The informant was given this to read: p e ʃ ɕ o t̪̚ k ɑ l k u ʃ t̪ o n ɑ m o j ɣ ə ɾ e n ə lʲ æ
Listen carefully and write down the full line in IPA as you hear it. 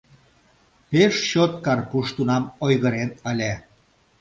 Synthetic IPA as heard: p e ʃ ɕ o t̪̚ k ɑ r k u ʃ t̪ u n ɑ m o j ɣ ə ɾ e n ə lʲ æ